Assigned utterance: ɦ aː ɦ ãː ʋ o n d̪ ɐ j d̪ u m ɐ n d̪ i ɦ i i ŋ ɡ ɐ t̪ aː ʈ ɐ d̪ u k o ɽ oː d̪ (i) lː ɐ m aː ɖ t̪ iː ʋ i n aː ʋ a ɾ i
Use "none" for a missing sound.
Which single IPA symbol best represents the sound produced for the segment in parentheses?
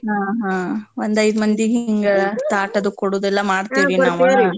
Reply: ɛ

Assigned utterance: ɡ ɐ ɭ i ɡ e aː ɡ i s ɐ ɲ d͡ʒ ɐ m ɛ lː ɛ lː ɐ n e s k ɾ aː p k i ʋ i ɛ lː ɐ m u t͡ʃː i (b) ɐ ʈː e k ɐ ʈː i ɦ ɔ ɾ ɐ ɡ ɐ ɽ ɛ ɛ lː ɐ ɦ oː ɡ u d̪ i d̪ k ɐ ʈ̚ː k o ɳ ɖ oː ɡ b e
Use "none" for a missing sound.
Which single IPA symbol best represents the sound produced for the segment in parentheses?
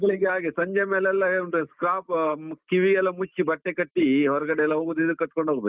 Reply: b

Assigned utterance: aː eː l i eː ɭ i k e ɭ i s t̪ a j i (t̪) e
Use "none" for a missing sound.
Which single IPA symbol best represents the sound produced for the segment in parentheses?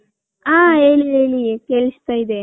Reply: d̪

